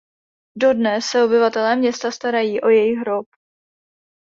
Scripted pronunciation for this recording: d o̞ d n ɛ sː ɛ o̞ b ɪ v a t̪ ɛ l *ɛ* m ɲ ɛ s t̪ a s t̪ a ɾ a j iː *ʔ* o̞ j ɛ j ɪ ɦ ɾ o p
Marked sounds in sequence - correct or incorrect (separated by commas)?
incorrect, correct